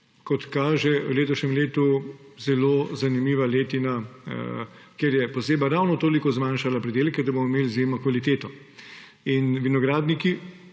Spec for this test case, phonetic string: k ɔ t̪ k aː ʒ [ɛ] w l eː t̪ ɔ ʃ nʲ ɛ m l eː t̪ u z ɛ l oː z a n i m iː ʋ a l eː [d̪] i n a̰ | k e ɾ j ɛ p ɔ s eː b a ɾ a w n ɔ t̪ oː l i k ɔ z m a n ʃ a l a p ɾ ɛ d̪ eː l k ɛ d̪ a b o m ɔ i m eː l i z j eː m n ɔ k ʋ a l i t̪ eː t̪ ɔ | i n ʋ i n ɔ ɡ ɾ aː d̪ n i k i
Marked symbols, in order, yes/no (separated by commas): yes, no